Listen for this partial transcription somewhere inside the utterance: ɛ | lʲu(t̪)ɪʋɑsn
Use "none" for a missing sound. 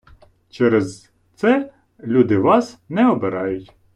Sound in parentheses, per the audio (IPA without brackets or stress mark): d̪